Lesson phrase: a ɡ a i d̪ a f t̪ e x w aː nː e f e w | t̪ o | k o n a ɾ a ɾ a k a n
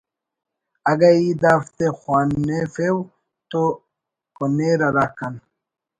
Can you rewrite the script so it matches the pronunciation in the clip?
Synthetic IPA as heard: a ɡ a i d̪ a f t̪ e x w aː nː e f e w | t̪ o | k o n e ɾ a ɾ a k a n